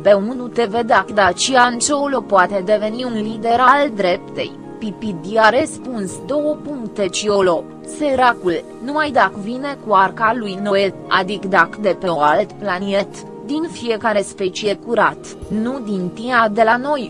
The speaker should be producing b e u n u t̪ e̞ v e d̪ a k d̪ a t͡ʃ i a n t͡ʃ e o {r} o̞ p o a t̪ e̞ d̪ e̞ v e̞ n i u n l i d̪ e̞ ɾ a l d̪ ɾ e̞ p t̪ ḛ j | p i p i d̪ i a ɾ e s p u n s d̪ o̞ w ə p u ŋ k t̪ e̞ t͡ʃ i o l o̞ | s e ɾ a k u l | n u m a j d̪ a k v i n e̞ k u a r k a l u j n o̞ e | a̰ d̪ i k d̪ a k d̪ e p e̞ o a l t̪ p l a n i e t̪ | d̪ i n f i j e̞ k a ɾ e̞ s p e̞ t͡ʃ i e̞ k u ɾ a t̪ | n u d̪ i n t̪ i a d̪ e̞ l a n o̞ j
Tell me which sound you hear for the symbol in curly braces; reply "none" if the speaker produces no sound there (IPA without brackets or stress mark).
l